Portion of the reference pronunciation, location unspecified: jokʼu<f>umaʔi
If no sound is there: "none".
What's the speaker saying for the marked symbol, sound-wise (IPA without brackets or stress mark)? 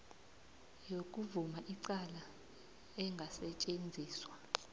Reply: v